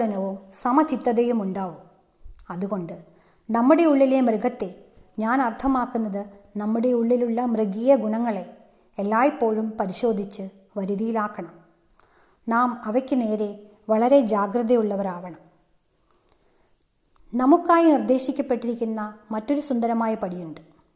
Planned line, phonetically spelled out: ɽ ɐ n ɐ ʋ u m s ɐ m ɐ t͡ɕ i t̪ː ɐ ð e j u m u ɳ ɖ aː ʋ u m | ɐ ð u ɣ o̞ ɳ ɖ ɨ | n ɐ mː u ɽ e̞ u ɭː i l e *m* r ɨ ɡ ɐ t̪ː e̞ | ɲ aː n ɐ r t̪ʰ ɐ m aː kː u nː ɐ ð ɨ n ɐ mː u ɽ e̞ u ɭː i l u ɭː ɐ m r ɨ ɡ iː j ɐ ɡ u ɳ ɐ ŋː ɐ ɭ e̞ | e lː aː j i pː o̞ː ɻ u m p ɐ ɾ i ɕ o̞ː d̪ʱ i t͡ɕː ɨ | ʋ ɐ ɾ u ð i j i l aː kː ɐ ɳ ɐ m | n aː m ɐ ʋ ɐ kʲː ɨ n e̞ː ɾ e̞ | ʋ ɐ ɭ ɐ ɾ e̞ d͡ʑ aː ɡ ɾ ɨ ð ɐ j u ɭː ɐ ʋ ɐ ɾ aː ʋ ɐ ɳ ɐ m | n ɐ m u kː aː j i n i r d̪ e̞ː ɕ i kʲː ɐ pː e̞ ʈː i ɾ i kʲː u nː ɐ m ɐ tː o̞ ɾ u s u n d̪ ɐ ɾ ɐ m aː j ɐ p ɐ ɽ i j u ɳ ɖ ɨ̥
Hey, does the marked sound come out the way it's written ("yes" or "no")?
yes